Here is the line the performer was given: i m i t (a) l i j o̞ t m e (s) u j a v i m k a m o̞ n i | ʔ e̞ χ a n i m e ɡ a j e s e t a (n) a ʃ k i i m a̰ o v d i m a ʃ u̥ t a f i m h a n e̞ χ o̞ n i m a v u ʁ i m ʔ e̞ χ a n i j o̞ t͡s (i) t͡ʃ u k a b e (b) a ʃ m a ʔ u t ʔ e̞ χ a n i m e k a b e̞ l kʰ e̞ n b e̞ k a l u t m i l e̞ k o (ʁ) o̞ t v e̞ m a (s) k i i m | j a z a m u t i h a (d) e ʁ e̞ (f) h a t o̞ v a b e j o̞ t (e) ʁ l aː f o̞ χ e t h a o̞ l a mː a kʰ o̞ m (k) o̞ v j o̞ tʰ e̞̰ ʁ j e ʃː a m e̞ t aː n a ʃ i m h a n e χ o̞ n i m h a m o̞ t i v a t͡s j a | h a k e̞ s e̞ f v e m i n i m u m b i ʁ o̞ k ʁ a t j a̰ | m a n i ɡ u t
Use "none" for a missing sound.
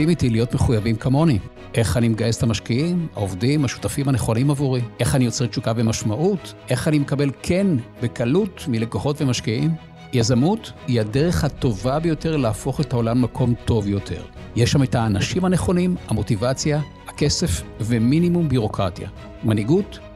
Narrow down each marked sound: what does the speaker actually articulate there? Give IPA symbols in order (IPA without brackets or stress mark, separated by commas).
i, χ, m, e, m, χ, ʃ, d, χ, e, t